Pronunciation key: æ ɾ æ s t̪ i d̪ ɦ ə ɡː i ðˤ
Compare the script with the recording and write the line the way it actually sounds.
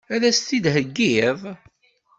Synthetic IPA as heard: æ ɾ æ s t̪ i d̪ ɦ ə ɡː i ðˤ

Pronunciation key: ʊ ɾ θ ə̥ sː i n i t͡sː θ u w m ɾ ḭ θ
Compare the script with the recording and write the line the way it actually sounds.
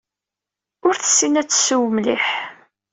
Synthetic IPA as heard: ʊ ɾ θ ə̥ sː i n æ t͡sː s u w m l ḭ ħ

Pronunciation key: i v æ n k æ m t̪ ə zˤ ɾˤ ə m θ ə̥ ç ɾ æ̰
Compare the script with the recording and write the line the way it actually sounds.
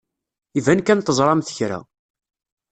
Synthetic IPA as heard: i v æ n k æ n t̪ ə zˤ ɾˤ ɑ m θ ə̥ ç ɾ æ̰

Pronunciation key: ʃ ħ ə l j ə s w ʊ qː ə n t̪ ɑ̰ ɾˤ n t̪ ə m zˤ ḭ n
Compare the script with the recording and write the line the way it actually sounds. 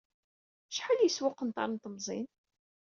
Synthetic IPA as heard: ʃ ħ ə l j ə s w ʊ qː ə n t̪ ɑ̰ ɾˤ n t̪ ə m zˤ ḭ n

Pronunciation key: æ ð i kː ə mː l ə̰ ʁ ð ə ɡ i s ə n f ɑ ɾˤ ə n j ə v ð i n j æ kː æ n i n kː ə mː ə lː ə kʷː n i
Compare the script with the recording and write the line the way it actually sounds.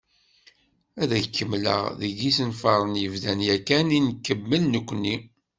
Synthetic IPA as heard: æ ð æ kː ə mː l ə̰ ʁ ð ə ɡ i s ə n f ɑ ɾˤ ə n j ə v ð æ n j æ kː æ n i n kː ə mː ə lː ə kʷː n i

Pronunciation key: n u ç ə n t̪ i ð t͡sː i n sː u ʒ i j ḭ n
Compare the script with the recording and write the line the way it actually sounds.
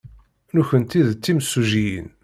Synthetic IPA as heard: n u ç ə n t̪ i ð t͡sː i m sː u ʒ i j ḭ n

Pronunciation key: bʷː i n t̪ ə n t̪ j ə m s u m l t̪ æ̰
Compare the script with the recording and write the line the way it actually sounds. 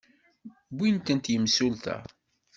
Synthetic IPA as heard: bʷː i n t̪ ə n t̪ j ə m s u l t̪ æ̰

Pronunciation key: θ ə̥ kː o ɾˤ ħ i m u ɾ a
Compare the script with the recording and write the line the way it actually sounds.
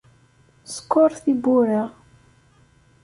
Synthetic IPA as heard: s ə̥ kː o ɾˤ θ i b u ɾ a

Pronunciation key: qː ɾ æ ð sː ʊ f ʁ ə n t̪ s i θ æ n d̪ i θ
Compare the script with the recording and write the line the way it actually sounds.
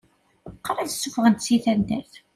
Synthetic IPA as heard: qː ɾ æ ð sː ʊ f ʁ ə n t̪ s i θ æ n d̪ æ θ

